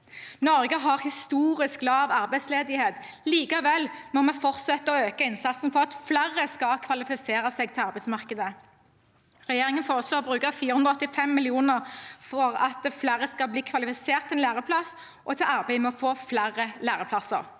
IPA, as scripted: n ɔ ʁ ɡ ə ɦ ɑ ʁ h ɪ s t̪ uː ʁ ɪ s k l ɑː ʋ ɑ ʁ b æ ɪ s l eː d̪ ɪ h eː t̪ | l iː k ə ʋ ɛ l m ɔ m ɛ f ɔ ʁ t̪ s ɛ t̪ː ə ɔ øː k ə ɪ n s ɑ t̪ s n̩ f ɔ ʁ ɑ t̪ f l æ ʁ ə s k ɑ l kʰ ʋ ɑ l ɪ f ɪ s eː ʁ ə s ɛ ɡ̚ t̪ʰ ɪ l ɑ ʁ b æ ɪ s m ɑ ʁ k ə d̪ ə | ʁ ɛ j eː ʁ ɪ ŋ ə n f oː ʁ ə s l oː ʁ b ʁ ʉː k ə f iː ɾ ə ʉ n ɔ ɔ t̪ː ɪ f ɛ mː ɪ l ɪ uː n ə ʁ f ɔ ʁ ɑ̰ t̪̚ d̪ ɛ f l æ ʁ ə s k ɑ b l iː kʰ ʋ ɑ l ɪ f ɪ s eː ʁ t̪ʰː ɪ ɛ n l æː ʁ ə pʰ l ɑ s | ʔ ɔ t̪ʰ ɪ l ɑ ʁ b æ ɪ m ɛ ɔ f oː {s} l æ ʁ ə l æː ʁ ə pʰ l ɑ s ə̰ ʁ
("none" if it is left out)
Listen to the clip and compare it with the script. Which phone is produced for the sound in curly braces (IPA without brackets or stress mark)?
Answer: f